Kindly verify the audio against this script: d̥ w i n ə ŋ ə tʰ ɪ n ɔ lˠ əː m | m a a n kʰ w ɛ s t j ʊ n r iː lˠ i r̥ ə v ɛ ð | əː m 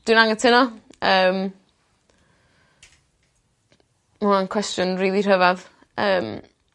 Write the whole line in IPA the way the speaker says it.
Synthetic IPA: d̥ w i n a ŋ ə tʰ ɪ n ɔ əː m | m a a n kʰ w ɛ s t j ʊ n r iː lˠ i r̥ ə v a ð | əː m